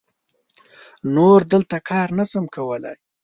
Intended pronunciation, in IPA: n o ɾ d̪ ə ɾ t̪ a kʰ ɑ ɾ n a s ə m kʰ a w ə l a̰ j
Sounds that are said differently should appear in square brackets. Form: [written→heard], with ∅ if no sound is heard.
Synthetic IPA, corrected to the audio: n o ɾ d̪ ə [ɾ→l] t̪ a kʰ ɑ ɾ n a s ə m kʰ a w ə l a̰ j